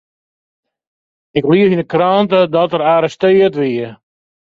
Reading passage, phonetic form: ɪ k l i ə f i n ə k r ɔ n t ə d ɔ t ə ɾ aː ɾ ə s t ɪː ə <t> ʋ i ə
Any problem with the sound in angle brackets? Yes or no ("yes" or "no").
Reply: no